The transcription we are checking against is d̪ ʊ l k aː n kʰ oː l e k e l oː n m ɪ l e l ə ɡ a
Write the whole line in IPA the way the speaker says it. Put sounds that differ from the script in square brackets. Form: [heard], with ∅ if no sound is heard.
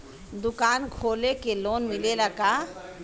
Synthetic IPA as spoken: d̪ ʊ [∅] k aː n kʰ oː l e k e l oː n m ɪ l e l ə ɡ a